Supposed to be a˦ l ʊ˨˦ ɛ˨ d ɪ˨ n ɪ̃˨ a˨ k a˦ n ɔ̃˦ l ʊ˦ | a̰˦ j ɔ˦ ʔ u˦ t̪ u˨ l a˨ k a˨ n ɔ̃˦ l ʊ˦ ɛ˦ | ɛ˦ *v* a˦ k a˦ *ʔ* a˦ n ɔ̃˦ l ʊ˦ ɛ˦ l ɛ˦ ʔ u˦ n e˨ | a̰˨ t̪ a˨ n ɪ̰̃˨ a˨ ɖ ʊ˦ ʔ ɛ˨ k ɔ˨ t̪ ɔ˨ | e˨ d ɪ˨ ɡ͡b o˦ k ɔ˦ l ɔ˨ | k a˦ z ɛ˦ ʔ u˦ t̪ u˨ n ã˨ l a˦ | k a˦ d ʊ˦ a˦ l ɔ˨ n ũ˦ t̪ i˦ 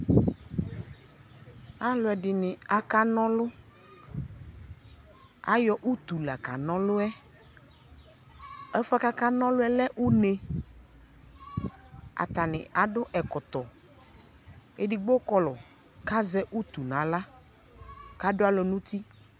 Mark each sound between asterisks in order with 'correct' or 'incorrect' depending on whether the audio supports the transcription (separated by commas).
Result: incorrect, incorrect